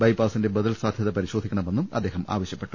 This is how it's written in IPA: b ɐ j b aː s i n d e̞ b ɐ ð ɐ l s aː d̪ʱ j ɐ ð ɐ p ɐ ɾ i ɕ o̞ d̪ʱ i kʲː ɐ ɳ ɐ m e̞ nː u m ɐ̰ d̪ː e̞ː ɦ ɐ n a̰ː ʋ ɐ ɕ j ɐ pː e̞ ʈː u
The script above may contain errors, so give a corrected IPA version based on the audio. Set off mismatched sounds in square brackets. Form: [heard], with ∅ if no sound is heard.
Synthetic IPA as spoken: b ɐ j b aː s i n d e̞ b ɐ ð ɐ l s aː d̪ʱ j ɐ ð ɐ p ɐ ɾ i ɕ o̞ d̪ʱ i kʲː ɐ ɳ ɐ m e̞ nː u m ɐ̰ d̪ː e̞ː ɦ ɐ [m] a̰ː ʋ ɐ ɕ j ɐ pː e̞ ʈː u